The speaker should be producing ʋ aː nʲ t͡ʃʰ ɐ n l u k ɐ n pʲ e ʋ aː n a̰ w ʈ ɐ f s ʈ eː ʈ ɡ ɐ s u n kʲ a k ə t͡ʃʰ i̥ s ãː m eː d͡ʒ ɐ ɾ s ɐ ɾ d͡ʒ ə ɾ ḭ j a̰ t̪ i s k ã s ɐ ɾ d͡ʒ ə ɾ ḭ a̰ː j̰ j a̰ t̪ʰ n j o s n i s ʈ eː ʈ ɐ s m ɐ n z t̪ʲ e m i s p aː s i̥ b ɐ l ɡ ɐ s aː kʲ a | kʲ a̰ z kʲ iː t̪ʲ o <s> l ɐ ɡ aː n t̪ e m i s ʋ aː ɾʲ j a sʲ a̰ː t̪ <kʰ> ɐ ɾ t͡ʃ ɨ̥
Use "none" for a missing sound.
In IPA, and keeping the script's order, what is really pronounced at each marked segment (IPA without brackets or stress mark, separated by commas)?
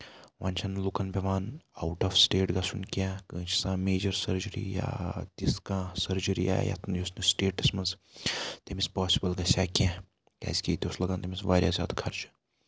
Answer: s, kʰ